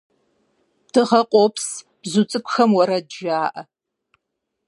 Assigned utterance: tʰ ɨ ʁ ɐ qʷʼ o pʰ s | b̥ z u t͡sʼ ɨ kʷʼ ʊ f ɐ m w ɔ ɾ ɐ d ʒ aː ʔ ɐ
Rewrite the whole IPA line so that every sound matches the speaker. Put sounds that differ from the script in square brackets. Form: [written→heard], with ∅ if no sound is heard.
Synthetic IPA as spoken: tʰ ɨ ʁ ɐ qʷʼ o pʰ s | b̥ z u t͡sʼ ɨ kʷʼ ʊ [f→x] ɐ m w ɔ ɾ ɐ d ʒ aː ʔ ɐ

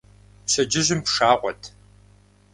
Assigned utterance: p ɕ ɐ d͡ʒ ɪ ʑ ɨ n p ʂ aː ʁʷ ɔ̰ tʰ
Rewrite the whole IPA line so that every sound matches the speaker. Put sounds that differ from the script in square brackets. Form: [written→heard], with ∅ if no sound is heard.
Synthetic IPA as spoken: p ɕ ɐ d͡ʒ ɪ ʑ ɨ [n→m] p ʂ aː ʁʷ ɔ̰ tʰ

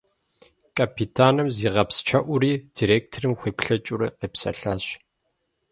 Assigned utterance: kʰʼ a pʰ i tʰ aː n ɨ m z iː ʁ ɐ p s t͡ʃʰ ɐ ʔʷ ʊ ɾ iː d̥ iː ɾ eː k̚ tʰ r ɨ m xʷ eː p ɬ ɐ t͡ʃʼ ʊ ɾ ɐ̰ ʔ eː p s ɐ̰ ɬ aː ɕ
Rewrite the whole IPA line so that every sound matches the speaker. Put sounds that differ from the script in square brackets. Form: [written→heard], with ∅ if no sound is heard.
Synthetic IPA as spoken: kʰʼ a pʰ i tʰ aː n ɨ m z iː ʁ ɐ p s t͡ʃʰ ɐ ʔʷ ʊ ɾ iː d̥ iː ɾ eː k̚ tʰ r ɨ m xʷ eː p ɬ ɐ t͡ʃʼ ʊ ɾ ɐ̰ [ʔ→q] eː p s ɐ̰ ɬ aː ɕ

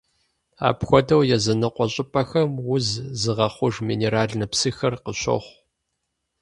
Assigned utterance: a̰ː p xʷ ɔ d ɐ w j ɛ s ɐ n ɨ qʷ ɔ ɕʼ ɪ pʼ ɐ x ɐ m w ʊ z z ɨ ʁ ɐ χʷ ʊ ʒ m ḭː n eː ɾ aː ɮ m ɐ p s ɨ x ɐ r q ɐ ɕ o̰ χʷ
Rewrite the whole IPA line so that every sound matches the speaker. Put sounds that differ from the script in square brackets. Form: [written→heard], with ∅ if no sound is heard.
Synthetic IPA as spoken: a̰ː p xʷ ɔ d ɐ w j ɛ [s→z] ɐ n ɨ qʷ ɔ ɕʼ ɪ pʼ ɐ x ɐ m w ʊ z z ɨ ʁ ɐ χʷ ʊ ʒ m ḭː n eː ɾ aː ɮ [m→n] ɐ p s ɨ x ɐ r q [ɐ→ə] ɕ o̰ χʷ

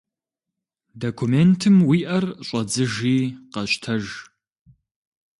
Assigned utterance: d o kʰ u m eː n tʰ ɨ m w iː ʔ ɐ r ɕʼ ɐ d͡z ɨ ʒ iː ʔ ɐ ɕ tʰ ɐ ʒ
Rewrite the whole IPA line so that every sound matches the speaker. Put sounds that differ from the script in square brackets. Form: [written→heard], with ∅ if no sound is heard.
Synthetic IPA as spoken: d o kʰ u m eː n tʰ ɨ m w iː ʔ ɐ r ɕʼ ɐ d͡z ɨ ʒ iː [ʔ→q] ɐ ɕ tʰ ɐ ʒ

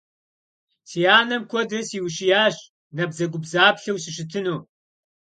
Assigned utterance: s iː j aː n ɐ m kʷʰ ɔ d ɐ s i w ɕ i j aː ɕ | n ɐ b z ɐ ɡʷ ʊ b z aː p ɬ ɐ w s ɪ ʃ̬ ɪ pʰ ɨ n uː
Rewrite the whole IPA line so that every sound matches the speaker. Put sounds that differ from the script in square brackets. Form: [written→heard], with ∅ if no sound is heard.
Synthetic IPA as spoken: s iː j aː n ɐ m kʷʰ ɔ d ɐ s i w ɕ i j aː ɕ | n ɐ b z ɐ ɡʷ ʊ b z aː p ɬ ɐ w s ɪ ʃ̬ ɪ [pʰ→tʰ] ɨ n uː

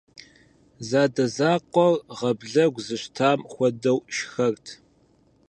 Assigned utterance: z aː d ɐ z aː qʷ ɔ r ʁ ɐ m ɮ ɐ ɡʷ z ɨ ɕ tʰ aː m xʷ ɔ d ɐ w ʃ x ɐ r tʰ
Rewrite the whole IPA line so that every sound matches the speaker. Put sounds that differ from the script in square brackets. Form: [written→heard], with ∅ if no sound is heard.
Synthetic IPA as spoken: z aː d ɐ z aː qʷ ɔ r ʁ ɐ [m→b] ɮ ɐ ɡʷ z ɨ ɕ tʰ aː m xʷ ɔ d ɐ w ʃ x ɐ r tʰ

